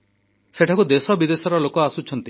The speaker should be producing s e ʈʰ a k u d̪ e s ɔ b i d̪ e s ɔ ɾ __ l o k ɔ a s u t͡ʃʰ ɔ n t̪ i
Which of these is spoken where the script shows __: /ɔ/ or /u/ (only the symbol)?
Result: ɔ